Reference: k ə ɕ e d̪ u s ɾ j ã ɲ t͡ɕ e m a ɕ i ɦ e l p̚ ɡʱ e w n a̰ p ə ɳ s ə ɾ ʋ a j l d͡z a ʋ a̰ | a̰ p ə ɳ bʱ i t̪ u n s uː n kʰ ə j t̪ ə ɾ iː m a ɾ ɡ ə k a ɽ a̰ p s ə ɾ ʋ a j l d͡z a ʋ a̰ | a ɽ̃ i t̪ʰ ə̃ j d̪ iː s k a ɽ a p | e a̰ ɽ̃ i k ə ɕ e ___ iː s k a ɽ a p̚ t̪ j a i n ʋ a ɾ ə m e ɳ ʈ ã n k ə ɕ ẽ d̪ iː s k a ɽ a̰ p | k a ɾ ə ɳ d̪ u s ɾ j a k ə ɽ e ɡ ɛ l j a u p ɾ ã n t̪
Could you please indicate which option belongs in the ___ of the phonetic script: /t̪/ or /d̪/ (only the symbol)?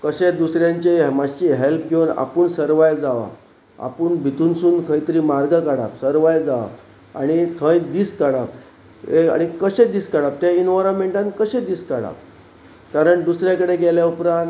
d̪